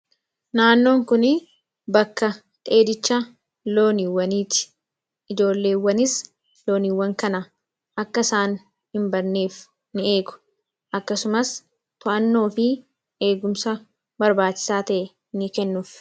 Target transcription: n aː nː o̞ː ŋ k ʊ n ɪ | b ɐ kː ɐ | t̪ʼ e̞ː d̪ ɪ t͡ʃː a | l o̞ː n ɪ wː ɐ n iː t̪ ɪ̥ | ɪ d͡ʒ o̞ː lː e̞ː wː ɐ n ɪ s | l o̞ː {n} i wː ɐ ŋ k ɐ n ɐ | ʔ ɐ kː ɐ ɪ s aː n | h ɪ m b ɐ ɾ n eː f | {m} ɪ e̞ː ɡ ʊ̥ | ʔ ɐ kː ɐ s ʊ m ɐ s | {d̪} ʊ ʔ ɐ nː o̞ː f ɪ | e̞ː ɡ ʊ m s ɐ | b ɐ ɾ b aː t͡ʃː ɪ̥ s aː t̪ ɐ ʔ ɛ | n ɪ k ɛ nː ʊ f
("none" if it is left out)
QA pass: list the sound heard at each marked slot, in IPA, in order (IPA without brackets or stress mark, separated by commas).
n, n, t̪